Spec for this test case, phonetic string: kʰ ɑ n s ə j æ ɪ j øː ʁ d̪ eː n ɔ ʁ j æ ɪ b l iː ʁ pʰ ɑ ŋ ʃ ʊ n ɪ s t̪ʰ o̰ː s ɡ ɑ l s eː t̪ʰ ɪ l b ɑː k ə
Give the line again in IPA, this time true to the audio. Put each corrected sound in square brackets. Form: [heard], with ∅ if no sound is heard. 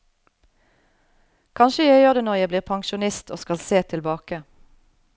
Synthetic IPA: kʰ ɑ n [ʃ] ə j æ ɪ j øː ʁ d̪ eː n ɔ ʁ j æ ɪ b l iː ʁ pʰ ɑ ŋ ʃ ʊ n ɪ s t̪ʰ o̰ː s [k] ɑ l s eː t̪ʰ ɪ l b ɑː k ə